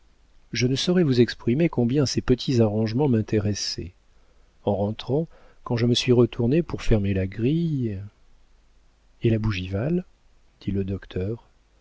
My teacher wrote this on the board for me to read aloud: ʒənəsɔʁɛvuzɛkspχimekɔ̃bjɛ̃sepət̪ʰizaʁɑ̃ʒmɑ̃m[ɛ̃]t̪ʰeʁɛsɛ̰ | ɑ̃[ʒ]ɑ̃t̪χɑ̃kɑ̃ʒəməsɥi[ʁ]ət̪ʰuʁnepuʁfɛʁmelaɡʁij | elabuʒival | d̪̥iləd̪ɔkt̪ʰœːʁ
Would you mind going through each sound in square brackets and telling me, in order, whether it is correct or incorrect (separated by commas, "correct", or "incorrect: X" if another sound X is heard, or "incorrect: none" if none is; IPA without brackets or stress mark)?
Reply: correct, incorrect: ʁ, correct